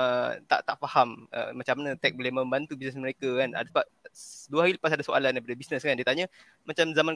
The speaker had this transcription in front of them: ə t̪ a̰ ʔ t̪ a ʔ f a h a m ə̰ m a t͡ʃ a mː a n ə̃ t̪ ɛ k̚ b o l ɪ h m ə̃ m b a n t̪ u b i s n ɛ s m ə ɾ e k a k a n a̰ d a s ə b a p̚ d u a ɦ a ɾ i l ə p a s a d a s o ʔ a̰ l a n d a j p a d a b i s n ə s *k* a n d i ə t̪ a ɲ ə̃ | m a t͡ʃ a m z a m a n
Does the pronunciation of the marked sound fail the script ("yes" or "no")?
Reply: no